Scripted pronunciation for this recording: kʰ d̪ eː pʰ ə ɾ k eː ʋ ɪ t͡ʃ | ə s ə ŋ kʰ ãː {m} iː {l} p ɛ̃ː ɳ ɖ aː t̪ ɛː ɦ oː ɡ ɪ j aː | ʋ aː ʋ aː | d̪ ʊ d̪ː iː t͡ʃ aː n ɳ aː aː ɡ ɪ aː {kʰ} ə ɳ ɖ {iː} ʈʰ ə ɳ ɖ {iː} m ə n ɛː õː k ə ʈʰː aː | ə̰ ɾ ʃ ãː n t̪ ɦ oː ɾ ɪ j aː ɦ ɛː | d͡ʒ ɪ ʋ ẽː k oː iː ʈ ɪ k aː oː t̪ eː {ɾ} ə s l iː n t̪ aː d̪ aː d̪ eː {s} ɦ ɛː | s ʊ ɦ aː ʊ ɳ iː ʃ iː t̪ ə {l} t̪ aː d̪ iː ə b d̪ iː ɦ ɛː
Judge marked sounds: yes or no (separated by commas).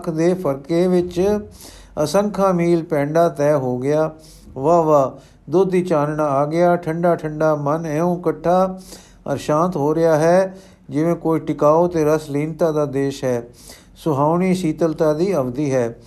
yes, yes, no, no, no, yes, no, yes